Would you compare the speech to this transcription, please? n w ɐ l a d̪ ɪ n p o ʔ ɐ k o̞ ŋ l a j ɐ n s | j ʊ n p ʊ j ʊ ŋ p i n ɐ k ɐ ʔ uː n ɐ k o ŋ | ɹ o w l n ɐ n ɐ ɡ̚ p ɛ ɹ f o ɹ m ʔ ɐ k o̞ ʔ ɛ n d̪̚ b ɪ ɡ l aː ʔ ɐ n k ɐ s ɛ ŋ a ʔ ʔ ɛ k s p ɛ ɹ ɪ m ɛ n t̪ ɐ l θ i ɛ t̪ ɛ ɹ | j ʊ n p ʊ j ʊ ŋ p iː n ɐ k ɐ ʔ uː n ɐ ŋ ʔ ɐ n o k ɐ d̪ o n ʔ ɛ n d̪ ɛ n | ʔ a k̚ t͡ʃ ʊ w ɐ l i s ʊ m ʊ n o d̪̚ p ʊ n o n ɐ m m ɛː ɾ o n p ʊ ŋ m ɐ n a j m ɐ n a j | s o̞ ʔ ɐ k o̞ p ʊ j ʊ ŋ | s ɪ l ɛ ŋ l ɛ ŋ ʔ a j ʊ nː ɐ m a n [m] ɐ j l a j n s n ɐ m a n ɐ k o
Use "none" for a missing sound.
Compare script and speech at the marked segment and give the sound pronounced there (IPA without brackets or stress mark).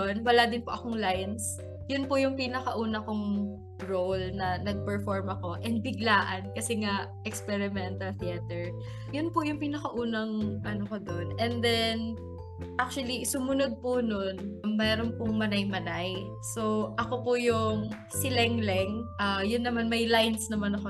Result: m